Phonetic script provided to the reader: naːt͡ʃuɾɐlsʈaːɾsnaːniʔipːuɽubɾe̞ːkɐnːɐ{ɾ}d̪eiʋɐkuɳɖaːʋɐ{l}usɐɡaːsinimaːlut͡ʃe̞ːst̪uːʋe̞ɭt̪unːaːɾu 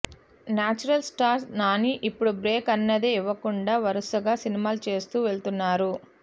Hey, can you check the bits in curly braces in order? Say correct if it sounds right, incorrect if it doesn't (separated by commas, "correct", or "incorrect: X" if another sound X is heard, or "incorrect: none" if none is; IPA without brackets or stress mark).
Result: incorrect: none, incorrect: ɾ